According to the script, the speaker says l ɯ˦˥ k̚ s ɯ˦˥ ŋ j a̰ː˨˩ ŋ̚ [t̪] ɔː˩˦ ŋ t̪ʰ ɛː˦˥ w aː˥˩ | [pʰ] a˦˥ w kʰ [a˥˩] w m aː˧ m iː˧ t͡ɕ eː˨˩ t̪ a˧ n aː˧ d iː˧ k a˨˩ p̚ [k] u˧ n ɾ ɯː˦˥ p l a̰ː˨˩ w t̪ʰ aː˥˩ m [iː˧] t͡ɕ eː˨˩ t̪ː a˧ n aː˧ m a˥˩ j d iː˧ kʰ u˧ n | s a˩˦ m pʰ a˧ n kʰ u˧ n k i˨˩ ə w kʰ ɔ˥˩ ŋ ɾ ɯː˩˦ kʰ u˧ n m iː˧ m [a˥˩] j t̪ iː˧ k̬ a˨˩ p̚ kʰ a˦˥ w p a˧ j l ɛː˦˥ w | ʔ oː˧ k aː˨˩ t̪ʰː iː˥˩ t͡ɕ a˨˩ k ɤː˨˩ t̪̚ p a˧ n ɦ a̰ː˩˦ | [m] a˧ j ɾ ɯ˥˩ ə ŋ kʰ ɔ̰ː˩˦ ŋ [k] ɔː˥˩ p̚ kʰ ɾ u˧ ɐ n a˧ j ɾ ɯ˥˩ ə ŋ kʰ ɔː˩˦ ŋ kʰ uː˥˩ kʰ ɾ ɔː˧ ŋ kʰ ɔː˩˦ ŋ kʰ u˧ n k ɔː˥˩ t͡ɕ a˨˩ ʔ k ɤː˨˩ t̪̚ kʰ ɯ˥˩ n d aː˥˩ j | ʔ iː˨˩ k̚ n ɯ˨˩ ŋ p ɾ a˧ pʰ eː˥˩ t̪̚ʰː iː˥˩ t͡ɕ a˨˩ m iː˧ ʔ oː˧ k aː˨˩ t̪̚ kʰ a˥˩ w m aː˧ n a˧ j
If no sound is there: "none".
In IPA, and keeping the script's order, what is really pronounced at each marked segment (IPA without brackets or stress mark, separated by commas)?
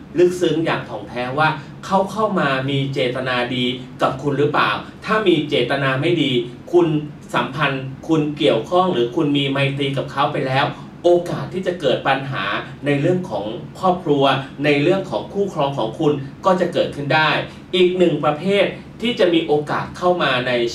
t̪ʰ, kʰ, a˥˩, kʰ, iː˧, a˧, n, kʰ